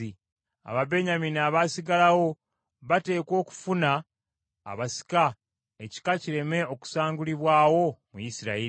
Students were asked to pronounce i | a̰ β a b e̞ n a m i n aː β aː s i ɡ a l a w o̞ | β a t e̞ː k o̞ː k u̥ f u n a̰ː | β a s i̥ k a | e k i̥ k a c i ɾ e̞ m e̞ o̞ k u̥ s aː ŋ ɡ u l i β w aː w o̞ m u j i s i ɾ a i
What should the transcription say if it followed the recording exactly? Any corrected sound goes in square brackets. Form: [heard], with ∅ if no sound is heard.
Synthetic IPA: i | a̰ β a b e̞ [ɲ] a m i n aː β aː s i ɡ a l a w o̞ | β a t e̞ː k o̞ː k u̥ f u n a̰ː | β a s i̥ k a | e [c] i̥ k a c i ɾ e̞ m e̞ o̞ k u̥ s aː ŋ ɡ u l i β w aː w o̞ m u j i s i ɾ a i